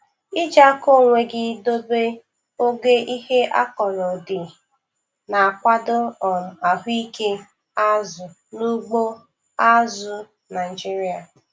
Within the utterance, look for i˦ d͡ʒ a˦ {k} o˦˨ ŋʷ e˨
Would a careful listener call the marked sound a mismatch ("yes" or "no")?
no